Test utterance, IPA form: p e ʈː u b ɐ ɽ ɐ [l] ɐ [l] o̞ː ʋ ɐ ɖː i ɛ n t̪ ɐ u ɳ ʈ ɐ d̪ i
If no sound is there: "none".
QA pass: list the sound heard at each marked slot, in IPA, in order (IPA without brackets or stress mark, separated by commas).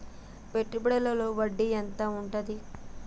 l, l